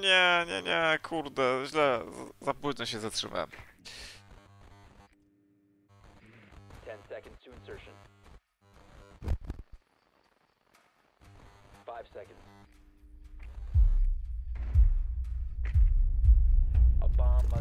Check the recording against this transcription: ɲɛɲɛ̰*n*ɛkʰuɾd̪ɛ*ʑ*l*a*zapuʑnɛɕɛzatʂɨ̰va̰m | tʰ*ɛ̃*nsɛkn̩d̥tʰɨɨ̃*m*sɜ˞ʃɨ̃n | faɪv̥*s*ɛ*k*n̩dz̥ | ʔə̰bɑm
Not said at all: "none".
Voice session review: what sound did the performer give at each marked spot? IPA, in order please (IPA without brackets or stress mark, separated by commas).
ɲ, ʑ, ɛ, ɛ̃, n, s, k